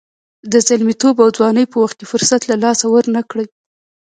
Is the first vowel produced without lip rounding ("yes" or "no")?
yes